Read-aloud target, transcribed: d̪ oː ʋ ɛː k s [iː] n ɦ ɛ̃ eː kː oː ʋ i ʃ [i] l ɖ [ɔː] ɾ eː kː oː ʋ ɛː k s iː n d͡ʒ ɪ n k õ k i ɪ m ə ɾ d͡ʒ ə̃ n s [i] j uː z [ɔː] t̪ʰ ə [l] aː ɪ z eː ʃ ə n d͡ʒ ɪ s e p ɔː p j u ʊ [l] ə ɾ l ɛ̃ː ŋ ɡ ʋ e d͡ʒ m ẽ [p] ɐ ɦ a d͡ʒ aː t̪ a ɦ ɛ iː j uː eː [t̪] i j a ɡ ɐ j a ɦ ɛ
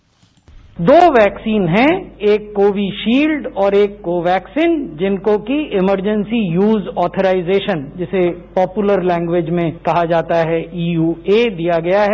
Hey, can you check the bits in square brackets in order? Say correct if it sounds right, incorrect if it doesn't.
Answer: correct, incorrect: iː, correct, correct, correct, incorrect: ɾ, correct, incorrect: k, incorrect: d̪

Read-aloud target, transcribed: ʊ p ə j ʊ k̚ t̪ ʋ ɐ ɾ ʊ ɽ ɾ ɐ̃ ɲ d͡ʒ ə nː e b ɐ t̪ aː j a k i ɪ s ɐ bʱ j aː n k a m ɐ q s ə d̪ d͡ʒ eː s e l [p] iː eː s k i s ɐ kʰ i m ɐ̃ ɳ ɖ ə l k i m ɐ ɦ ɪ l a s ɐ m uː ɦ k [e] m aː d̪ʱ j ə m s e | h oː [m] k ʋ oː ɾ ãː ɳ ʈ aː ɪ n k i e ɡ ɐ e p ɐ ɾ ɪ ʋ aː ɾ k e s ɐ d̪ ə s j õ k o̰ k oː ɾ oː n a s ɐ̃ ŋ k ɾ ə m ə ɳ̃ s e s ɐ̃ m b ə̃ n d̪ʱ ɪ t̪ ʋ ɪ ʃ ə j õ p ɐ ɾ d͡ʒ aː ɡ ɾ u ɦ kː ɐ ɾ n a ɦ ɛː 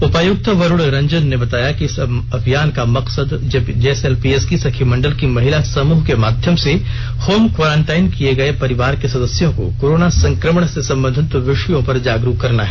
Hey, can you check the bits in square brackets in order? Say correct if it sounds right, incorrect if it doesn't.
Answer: correct, correct, correct

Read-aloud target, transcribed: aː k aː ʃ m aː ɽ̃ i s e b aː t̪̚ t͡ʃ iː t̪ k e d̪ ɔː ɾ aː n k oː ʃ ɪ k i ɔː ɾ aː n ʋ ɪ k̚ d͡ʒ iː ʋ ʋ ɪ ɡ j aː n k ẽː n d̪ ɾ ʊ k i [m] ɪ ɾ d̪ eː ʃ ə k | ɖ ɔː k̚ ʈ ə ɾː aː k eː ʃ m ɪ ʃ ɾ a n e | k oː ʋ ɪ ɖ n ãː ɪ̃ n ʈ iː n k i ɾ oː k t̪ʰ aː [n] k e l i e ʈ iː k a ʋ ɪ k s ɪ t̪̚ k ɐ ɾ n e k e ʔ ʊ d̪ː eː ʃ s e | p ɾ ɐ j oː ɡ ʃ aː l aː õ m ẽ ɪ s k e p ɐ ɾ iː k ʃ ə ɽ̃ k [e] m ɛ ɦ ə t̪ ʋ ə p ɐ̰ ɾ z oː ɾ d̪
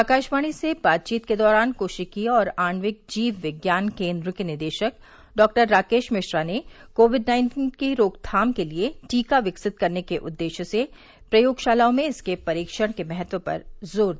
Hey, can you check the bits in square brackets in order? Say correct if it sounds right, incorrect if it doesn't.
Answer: incorrect: n, incorrect: m, correct

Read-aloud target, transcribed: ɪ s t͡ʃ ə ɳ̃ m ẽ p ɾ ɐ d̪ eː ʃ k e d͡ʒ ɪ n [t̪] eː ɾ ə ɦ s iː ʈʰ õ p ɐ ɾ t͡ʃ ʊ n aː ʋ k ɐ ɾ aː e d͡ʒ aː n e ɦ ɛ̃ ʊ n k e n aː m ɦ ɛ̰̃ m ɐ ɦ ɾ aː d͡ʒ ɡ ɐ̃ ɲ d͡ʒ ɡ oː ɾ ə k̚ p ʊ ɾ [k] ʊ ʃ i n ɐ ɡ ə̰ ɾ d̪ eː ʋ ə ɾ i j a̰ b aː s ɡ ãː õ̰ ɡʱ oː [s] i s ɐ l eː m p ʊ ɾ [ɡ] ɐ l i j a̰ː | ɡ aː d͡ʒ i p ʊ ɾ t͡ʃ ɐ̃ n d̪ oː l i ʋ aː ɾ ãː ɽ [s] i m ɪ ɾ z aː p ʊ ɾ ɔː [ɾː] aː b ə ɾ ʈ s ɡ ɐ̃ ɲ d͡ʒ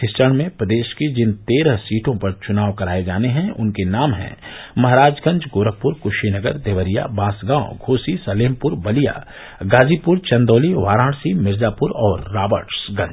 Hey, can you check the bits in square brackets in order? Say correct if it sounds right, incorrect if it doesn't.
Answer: correct, correct, correct, incorrect: b, correct, correct

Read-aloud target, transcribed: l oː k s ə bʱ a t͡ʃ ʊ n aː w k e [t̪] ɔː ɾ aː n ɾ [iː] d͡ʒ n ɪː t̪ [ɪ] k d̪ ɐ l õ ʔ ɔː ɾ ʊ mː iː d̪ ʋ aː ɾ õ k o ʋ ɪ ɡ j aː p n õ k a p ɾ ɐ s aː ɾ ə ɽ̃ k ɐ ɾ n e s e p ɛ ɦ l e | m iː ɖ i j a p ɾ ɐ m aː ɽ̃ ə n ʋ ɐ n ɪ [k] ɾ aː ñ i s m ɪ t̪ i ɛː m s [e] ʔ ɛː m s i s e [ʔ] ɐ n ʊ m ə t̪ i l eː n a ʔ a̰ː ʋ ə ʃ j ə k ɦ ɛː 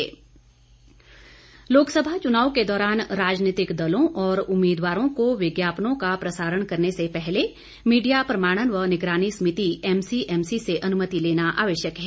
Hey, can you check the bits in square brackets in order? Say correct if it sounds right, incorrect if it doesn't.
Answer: incorrect: d̪, incorrect: aː, correct, incorrect: ɡ, incorrect: i, correct

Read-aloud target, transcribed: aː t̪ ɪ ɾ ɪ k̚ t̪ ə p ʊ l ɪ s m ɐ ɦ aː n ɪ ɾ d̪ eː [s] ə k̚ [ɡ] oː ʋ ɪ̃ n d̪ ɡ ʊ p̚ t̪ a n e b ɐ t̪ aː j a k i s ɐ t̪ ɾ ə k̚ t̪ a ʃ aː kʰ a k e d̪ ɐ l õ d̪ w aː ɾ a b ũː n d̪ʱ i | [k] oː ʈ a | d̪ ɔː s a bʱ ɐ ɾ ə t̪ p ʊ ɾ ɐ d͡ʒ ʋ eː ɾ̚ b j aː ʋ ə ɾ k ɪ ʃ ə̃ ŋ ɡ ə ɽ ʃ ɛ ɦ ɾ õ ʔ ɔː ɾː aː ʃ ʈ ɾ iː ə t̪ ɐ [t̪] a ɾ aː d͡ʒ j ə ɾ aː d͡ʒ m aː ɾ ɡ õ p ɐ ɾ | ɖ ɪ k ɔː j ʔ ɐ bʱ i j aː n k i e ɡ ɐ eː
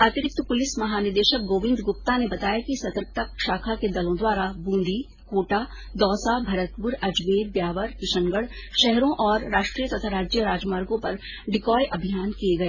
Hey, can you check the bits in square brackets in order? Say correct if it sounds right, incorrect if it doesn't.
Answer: incorrect: ʃ, correct, correct, incorrect: t̪ʰ

